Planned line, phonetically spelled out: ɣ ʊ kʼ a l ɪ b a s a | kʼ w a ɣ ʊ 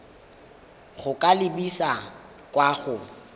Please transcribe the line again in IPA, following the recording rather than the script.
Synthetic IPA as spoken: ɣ ʊ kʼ a l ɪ b i s a | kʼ w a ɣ ʊ